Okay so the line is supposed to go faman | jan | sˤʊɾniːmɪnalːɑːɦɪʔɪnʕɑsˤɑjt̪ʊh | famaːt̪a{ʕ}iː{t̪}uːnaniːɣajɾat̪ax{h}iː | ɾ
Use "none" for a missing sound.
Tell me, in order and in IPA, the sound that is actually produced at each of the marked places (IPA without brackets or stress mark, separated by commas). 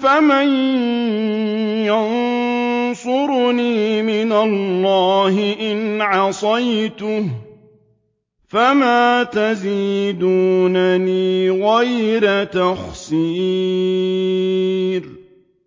z, d̪, s